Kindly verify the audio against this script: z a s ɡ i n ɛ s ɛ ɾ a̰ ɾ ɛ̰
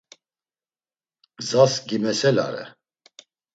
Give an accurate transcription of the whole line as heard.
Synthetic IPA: z a s ɡ i m ɛ s ɛ l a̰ ɾ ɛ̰